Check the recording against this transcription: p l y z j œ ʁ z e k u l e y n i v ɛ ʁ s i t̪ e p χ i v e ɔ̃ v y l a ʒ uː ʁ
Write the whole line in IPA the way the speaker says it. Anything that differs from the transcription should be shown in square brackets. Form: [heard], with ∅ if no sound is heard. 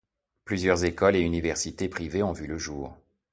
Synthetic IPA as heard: p l y z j œ ʁ z e k [ɔ] l e y n i v ɛ ʁ s i t̪ e p χ i v e ɔ̃ v y l [ə] ʒ uː ʁ